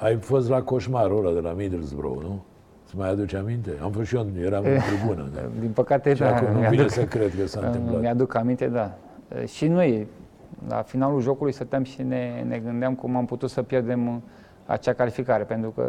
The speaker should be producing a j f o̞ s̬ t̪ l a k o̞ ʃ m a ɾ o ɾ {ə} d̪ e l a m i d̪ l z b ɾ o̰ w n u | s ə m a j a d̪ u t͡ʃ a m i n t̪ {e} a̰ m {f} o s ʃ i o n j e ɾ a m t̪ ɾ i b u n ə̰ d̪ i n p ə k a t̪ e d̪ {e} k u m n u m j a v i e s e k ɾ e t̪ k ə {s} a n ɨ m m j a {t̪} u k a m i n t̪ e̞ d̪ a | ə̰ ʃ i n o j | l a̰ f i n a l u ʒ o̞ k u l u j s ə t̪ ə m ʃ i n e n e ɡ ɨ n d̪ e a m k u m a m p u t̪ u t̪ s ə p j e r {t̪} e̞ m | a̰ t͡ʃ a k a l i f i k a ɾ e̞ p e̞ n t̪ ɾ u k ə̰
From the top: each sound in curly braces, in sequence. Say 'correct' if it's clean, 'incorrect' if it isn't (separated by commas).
incorrect, correct, correct, incorrect, correct, incorrect, incorrect